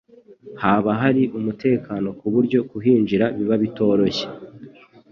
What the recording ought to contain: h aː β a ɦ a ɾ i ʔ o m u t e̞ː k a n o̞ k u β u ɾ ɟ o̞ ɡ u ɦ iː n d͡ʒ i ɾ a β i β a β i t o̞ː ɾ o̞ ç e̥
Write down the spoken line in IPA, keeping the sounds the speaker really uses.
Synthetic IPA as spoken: h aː β a ɦ a ɾ i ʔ u m u t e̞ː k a n o̞ k u β u ɾ ɟ o̞ k u ɦ iː n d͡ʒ i ɾ a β i β a β i t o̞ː ɾ o̞ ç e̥